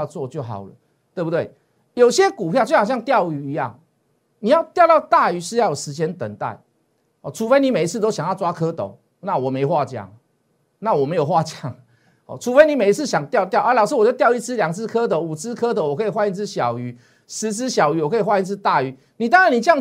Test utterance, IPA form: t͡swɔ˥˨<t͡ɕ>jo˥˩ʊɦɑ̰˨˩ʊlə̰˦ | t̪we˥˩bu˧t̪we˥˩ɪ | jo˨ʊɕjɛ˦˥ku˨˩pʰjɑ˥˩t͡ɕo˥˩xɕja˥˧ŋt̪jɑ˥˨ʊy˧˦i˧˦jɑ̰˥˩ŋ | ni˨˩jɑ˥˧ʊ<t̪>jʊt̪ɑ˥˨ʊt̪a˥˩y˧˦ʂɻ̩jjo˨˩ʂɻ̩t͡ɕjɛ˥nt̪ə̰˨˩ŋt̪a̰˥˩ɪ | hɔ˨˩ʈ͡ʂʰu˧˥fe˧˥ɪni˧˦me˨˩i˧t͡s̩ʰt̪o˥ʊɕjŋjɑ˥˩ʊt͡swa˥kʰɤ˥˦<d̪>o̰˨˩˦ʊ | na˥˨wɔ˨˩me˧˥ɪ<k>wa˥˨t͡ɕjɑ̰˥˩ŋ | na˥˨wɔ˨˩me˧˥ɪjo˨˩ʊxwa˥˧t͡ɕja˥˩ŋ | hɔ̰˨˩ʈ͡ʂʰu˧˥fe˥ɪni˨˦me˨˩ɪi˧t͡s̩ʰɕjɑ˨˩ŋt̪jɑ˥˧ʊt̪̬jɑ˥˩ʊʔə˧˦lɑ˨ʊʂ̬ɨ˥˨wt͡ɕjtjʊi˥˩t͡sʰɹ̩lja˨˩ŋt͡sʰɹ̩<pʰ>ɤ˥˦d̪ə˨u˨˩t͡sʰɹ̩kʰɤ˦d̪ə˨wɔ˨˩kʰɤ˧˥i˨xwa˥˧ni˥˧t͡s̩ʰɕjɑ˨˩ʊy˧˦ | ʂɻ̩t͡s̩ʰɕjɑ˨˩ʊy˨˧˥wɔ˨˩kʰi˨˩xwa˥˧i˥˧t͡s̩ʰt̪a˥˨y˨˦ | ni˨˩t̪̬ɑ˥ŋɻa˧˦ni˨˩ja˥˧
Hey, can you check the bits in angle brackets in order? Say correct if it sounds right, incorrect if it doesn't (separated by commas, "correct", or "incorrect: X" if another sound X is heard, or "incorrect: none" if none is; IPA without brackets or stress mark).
correct, correct, incorrect: t̪, incorrect: x, incorrect: kʰ